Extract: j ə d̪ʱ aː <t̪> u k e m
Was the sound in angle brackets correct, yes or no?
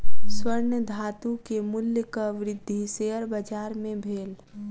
yes